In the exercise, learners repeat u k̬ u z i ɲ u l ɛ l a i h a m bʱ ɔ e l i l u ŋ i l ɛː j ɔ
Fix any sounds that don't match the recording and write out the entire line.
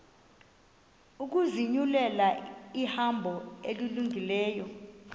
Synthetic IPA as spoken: u k̬ u z i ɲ u l ɛ l a i h a m bʱ ɔ e l i l u ŋ i l ɛː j ɔ